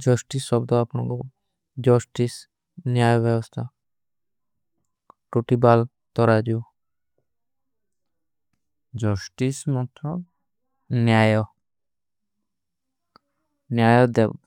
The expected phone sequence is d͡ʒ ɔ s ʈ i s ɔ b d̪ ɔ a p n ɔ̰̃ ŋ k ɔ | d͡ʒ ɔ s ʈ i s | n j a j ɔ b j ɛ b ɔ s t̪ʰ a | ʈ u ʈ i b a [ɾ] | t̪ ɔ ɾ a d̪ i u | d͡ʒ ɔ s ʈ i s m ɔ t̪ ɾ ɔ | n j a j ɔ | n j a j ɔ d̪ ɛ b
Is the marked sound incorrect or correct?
incorrect